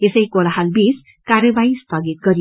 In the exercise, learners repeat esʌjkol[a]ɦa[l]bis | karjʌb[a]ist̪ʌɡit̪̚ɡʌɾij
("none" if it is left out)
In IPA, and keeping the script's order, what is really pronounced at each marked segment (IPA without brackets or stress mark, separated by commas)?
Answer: a, l, a